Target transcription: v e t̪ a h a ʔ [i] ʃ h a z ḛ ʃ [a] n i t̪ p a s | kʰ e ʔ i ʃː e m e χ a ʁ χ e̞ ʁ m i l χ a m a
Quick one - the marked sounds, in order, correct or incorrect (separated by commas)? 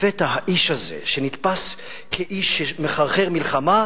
correct, incorrect